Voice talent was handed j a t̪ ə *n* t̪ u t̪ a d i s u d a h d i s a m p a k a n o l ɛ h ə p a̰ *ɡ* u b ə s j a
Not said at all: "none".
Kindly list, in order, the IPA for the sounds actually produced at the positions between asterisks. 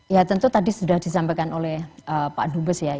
n, d

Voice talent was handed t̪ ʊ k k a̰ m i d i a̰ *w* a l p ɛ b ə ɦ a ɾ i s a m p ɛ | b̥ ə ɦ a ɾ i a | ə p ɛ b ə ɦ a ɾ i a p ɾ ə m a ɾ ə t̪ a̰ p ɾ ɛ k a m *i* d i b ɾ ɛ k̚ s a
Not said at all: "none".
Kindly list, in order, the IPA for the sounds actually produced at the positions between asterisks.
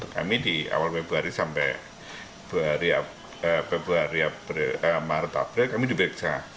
w, i

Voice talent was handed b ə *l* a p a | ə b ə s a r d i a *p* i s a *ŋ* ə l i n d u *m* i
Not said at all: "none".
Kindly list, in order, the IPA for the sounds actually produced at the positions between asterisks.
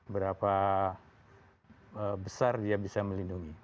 ɾ, b, m, ŋ

